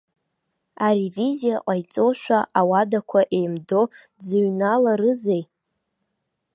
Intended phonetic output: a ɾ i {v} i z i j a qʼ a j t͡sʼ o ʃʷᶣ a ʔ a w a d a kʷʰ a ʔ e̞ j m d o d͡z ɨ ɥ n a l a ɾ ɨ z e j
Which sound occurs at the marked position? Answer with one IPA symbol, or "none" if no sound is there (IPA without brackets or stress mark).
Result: v